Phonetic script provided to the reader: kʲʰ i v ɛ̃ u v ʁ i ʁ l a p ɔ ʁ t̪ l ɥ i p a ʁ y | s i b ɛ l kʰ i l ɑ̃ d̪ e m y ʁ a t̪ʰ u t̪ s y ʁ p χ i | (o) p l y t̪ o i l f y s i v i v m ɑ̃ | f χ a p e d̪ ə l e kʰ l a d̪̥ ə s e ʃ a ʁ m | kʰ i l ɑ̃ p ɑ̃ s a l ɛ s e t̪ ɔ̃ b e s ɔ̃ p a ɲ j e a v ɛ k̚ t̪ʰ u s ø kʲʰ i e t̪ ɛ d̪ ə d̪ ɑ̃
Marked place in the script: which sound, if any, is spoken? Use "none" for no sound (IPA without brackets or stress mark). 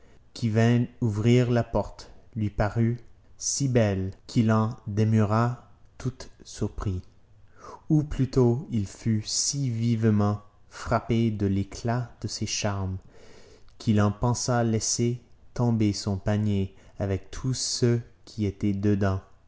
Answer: u